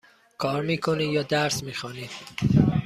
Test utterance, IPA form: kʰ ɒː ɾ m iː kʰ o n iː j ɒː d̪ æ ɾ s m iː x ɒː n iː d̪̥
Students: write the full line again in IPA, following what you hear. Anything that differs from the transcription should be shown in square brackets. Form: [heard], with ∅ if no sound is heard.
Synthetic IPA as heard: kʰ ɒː ɾ m iː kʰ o n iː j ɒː d̪ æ ɾ s m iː x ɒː n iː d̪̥